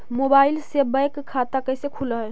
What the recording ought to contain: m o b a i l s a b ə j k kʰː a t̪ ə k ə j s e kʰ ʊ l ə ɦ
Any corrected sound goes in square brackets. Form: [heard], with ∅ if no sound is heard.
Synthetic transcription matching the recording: m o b a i l s [e] b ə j k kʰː a t̪ [a] k ə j s e kʰ [u] l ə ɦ